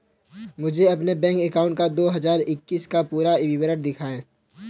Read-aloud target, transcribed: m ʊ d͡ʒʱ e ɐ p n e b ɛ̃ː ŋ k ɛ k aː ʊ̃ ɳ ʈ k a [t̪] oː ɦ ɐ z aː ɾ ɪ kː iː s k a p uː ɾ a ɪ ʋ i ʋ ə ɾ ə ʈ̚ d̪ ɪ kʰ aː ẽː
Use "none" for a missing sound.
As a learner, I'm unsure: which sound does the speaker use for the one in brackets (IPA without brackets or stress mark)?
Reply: d̪